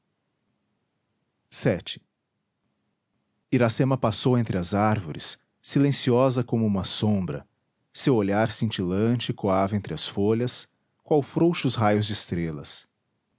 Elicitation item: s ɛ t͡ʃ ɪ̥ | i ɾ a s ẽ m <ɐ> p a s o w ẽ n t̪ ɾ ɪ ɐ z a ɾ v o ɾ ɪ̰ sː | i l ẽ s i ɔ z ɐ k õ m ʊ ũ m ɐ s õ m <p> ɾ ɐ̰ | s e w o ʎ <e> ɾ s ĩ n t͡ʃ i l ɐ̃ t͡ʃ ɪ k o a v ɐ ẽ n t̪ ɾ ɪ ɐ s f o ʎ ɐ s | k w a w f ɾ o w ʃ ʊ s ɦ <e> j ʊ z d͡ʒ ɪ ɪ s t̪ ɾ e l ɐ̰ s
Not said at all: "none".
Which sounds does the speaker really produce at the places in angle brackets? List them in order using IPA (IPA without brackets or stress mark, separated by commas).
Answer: ɐ, b, a, a